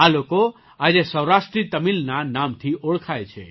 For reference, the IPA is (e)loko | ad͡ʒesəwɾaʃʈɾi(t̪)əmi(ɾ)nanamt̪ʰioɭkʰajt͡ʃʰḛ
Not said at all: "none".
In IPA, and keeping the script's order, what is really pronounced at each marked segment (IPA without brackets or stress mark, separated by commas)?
a, t̪, l